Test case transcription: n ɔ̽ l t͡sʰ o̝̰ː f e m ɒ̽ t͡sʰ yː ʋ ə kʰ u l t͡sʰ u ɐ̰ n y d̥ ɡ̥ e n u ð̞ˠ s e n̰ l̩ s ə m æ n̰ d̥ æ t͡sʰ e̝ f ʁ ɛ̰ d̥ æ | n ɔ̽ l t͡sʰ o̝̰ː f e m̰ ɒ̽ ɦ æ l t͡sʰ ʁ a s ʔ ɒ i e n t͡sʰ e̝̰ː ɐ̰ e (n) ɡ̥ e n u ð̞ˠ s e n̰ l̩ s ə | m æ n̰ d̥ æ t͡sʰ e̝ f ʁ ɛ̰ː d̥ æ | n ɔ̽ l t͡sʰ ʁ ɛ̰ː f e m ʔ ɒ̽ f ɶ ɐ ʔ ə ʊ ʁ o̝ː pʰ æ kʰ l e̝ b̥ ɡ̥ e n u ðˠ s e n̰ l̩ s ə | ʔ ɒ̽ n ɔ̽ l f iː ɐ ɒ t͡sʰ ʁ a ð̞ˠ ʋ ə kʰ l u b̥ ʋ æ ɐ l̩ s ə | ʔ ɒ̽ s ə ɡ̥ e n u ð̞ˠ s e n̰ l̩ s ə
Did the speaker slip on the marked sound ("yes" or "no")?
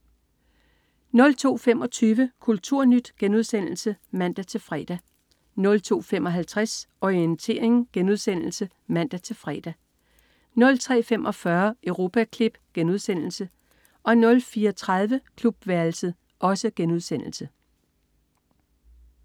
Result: yes